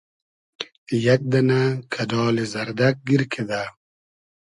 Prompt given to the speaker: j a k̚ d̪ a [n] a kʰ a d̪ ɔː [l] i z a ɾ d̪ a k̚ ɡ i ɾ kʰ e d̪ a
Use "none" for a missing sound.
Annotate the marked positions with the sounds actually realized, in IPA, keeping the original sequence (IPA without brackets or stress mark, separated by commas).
n, l